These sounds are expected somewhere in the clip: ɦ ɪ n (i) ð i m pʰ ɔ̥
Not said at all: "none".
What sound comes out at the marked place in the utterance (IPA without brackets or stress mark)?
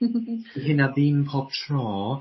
a